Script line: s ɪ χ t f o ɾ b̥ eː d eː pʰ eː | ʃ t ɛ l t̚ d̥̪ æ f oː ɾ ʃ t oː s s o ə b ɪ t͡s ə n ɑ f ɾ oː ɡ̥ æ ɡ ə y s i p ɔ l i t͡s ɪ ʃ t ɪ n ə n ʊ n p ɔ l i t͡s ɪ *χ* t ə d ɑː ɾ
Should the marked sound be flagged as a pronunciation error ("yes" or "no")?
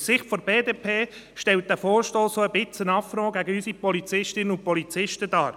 yes